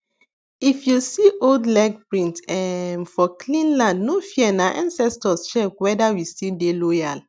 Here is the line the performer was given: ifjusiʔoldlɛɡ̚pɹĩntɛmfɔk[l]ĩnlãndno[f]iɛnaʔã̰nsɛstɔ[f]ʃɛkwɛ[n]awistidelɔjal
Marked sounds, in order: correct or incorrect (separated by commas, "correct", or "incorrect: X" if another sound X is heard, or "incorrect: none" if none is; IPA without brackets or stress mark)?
correct, correct, incorrect: s, incorrect: d